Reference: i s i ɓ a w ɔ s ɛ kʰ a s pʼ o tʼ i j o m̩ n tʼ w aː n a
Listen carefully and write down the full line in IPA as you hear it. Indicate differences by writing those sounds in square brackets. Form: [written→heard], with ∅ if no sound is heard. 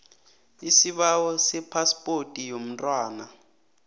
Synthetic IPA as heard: i s i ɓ a w ɔ s ɛ [kʰ→pʰ] a s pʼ o tʼ i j o m̩ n tʼ w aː n a